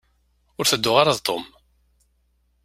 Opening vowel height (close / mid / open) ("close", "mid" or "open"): close